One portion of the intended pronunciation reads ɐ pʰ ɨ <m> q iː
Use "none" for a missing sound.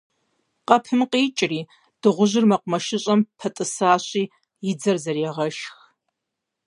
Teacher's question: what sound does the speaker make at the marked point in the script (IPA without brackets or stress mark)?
m